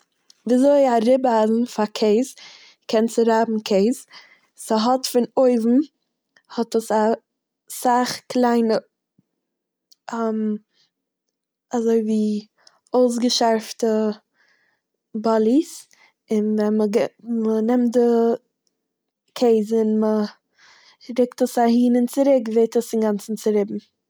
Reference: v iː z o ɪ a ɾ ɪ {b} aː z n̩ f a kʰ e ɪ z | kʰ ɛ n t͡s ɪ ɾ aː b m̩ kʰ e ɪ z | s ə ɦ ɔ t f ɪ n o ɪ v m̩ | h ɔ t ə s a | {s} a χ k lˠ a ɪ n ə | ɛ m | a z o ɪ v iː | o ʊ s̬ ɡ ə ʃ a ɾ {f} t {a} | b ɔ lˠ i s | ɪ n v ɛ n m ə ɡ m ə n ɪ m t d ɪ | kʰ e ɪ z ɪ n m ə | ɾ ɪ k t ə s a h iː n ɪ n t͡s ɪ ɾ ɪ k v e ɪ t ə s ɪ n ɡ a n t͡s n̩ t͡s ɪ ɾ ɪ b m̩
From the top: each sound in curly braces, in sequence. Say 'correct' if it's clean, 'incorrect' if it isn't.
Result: correct, correct, correct, incorrect: ə

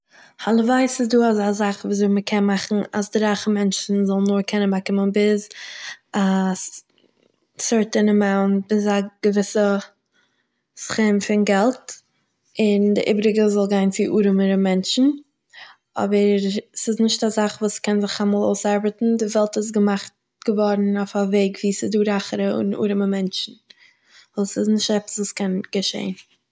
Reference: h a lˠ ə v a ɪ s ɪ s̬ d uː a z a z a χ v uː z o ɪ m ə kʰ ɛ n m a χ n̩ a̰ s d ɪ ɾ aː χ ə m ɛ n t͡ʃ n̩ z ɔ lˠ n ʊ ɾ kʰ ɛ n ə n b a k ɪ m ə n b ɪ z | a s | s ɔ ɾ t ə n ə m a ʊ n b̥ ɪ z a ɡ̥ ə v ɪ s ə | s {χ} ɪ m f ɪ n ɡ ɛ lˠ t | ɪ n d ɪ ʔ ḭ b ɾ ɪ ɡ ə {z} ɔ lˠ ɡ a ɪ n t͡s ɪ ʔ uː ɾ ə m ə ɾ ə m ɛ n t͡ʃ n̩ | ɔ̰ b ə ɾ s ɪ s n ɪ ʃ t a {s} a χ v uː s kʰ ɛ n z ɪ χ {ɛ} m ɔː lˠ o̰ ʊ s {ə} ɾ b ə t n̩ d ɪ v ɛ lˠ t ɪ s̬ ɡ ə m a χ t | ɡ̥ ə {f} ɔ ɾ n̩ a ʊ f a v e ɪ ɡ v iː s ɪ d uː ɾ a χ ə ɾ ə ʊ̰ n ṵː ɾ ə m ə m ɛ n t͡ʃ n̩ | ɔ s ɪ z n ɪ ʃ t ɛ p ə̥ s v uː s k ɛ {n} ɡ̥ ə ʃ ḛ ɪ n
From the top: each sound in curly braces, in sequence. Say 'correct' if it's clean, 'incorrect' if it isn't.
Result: correct, correct, incorrect: z, incorrect: a, incorrect: a, incorrect: v, correct

